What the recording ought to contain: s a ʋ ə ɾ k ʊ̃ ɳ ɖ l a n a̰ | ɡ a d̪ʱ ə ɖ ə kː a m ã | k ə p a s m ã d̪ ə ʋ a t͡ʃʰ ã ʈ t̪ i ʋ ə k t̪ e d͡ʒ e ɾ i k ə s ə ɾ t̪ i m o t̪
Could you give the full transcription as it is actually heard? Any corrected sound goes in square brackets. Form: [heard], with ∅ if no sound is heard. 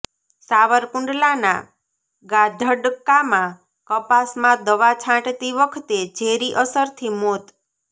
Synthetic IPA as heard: s a ʋ ə ɾ k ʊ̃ ɳ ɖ l a n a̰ | ɡ a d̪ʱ ə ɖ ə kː a m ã | k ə p a s m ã d̪ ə ʋ a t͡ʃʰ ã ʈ t̪ i ʋ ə [kʰ] t̪ e d͡ʒ e ɾ i [ʔ] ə s ə ɾ [t̪ʰ] i m o t̪